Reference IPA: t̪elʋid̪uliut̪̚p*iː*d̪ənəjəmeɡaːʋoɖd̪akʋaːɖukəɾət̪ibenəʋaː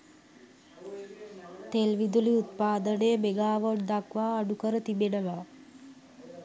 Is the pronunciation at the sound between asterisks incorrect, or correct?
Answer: incorrect: aː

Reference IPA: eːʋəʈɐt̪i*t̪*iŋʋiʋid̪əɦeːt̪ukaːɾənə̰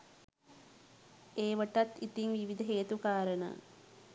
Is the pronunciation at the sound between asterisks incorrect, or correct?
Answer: correct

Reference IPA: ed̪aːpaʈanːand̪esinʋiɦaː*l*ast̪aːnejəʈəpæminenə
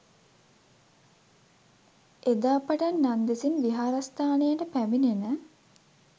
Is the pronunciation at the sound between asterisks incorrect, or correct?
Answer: incorrect: ɾ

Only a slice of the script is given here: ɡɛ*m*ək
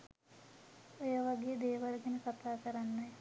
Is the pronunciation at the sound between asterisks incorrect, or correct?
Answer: incorrect: n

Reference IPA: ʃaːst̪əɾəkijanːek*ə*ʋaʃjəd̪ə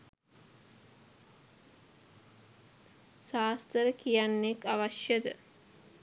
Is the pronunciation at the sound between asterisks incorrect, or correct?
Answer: incorrect: a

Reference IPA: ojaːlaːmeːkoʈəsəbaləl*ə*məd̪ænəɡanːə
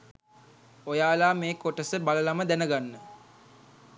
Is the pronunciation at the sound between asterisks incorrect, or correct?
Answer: incorrect: a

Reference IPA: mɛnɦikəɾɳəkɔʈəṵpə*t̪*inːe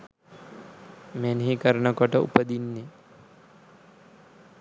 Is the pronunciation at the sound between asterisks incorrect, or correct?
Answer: incorrect: d̪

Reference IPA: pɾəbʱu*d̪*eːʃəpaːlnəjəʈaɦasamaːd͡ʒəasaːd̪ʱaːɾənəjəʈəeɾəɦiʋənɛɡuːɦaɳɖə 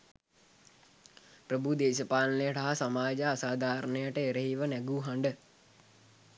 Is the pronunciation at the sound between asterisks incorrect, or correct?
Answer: correct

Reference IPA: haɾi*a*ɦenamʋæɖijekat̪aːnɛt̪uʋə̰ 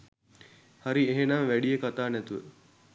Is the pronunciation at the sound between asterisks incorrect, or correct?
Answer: incorrect: e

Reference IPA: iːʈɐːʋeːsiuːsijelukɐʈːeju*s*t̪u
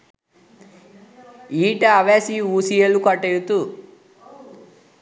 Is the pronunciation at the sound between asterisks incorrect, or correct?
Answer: incorrect: none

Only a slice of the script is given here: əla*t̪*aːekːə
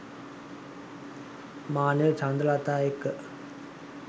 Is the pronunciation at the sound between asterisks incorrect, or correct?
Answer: correct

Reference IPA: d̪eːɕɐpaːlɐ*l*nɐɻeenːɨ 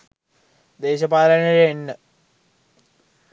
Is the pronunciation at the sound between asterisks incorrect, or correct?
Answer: incorrect: none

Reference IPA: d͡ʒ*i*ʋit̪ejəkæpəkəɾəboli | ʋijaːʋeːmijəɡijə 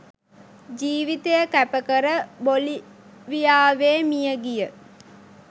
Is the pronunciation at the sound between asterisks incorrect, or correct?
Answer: incorrect: iː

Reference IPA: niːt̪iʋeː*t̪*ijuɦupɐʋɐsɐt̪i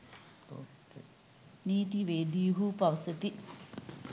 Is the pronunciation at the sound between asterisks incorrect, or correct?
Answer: incorrect: d̪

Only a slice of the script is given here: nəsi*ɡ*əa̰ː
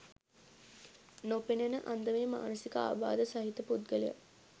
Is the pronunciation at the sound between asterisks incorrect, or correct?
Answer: incorrect: k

